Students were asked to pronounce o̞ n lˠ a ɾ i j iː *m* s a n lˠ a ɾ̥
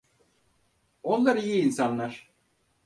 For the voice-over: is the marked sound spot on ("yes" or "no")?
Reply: no